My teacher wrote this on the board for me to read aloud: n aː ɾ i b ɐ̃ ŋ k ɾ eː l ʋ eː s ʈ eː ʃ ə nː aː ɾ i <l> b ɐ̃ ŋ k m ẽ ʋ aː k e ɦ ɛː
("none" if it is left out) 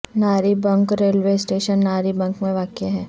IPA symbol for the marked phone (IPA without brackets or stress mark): none